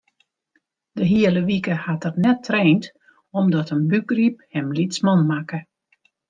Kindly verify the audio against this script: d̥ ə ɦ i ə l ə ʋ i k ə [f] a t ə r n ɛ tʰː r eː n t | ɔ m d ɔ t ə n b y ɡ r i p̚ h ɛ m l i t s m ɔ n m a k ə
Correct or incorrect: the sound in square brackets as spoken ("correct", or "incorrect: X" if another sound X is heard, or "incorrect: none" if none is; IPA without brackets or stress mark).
incorrect: h